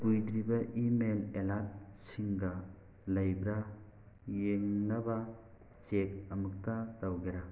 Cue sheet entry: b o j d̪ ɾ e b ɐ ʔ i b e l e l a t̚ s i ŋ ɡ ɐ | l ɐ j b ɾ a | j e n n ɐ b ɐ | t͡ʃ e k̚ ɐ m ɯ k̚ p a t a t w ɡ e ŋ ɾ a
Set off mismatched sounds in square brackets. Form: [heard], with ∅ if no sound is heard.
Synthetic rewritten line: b [u] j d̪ ɾ [i] b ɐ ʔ i [m] e l e l a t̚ s i ŋ ɡ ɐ | l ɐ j b ɾ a | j e [ŋ] n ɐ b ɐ | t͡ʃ e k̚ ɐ m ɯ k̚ [t] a t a [∅] w ɡ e [∅] ɾ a